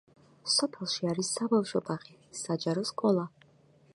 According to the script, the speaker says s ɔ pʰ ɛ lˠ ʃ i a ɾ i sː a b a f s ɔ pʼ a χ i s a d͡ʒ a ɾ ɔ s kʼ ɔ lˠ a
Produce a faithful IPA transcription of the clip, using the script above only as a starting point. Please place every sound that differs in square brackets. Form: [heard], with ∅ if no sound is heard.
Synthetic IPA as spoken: s ɔ pʰ ɛ lˠ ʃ i a ɾ i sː a b a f [ʃ] ɔ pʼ a χ i s a d͡ʒ a ɾ ɔ s kʼ ɔ lˠ a

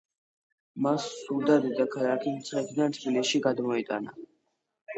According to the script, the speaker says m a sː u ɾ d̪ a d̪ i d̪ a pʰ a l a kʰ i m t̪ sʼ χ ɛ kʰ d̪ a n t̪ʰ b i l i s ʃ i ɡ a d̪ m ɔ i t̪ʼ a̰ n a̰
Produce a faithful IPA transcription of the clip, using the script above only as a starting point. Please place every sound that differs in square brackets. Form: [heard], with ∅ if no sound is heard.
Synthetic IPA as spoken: m a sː u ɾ d̪ a d̪ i d̪ a [kʰ] a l a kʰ i m t̪ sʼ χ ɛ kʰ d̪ a n t̪ʰ b i l i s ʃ i ɡ a d̪ m ɔ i t̪ʼ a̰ n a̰

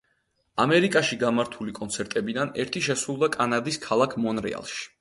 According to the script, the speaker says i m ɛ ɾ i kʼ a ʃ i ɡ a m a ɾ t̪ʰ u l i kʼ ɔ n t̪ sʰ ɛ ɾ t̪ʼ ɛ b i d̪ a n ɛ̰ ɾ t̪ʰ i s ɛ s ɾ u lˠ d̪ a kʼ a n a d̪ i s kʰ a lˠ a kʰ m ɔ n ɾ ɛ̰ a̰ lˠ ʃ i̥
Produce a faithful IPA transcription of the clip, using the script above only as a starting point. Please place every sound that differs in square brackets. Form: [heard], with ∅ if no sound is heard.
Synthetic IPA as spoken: [a] m ɛ ɾ i kʼ a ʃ i ɡ a m a ɾ t̪ʰ u l i kʼ ɔ n t̪ sʰ ɛ ɾ t̪ʼ ɛ b i d̪ a n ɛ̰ ɾ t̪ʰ i [ʃ] ɛ s ɾ u lˠ d̪ a kʼ a n a d̪ i s kʰ a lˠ a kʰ m ɔ n ɾ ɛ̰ a̰ lˠ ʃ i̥

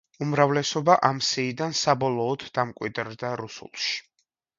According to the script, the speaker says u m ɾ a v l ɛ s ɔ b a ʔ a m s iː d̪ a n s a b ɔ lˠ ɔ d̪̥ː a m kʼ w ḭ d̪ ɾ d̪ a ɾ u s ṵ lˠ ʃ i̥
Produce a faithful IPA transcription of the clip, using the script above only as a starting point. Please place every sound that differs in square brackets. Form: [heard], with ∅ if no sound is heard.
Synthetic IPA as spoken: u m ɾ a v l ɛ s ɔ b a ʔ a m s iː d̪ a n s a b ɔ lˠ [ɔː] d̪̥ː a m kʼ w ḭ d̪ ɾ d̪ a ɾ u s ṵ lˠ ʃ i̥

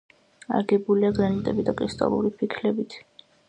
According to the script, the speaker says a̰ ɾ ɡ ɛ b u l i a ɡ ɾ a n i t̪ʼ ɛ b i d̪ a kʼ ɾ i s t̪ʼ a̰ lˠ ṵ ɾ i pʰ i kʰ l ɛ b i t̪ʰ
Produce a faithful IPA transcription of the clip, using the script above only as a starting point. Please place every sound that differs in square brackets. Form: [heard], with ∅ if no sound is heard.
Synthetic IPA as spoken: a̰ ɾ ɡ ɛ b u l i a ɡ ɾ a n i t̪ʼ ɛ b i d̪ a kʼ ɾ i s t̪ʼ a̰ lˠ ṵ ɾ i pʰ i kʰ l ɛ b i t̪ʰ

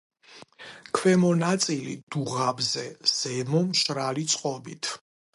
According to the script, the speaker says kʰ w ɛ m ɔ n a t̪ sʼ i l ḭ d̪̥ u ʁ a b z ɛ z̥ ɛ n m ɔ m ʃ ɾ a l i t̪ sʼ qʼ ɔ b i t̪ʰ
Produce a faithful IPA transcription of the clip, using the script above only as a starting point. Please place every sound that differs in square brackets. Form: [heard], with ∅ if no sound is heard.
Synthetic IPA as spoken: kʰ w ɛ m ɔ n a t̪ sʼ i l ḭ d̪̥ u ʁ a b z ɛ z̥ ɛ [∅] m ɔ m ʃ ɾ a l i t̪ sʼ qʼ ɔ b i t̪ʰ

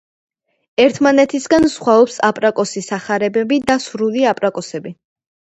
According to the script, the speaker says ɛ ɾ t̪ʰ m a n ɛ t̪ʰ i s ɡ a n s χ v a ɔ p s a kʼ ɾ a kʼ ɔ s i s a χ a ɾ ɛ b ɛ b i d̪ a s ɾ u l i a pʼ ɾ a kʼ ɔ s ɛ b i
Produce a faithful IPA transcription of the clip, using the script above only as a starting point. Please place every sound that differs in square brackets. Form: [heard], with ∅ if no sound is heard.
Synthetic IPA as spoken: ɛ ɾ t̪ʰ m a n ɛ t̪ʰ i s ɡ a n s χ [w] a ɔ p s a [pʼ] ɾ a kʼ ɔ s i s a χ a ɾ ɛ b ɛ b i d̪ a s ɾ u l i a pʼ ɾ a kʼ ɔ s ɛ b i

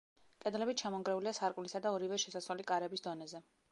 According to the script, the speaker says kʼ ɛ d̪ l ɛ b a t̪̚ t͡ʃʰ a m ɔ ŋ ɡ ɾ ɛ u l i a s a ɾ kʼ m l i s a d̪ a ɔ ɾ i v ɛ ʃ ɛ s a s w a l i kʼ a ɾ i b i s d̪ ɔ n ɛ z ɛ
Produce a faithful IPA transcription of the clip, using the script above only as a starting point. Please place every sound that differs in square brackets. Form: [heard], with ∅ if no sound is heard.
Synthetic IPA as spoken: kʼ ɛ d̪ l ɛ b [i] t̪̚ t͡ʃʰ a m ɔ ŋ ɡ ɾ ɛ u l i a s a ɾ kʼ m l i s a d̪ a ɔ ɾ i v ɛ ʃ ɛ s a s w a l i kʼ a ɾ [ɛ] b i s d̪ ɔ n ɛ z ɛ

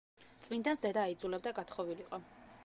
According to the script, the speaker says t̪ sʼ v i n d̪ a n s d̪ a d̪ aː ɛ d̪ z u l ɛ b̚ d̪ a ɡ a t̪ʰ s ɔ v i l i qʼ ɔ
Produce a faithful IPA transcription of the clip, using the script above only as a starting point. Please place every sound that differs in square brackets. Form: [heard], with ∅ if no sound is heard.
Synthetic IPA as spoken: t̪ sʼ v i n d̪ a n s d̪ [ɛ] d̪ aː [i] d̪ z u l ɛ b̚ d̪ a ɡ a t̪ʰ [χ] ɔ v i l i qʼ ɔ

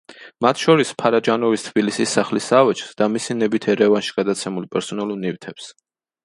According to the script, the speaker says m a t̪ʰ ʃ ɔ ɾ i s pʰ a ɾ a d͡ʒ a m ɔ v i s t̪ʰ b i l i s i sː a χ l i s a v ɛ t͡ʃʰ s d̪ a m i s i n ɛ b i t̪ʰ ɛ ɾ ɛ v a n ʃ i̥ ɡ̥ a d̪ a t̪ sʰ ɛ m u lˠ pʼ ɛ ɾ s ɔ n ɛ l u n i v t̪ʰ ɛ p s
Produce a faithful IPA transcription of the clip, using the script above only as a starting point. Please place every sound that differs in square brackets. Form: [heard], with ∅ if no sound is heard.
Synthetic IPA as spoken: m a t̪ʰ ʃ ɔ ɾ i s pʰ a ɾ a d͡ʒ a [n] ɔ v i s t̪ʰ b i l i s i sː a χ l i s a v ɛ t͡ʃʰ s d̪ a m i s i n ɛ b i t̪ʰ ɛ ɾ ɛ v a n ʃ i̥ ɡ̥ a d̪ a t̪ sʰ ɛ m u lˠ pʼ ɛ ɾ s ɔ n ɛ l u n i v t̪ʰ ɛ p s

